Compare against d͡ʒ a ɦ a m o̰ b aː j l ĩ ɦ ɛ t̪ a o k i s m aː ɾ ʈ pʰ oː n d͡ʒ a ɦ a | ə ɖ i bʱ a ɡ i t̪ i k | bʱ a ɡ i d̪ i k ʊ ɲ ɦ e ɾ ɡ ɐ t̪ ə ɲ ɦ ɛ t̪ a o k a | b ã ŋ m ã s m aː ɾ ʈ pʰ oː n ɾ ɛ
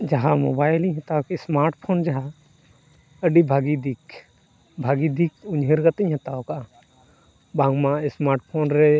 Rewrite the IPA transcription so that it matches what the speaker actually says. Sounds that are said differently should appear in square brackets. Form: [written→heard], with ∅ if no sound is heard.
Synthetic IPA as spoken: d͡ʒ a ɦ a m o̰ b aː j l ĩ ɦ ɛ t̪ a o k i s m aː ɾ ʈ pʰ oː n d͡ʒ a ɦ a | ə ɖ i bʱ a ɡ i [t̪→d̪] i k | bʱ a ɡ i d̪ i k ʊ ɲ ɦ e ɾ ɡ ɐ t̪ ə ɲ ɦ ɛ t̪ a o k a | b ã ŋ m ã s m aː ɾ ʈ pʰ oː n ɾ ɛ